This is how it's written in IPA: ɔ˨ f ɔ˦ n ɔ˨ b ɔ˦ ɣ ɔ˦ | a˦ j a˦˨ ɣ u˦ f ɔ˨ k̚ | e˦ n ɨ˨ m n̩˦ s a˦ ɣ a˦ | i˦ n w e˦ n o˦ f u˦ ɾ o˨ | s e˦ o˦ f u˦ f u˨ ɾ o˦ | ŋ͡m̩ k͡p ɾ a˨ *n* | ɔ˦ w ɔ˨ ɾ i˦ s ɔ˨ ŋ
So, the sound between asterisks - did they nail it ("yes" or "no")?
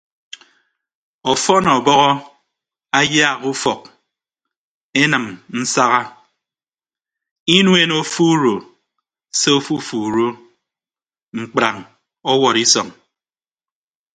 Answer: no